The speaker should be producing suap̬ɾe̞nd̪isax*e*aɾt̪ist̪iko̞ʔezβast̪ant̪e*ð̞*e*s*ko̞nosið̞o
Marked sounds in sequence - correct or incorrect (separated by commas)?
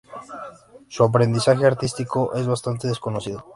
correct, correct, correct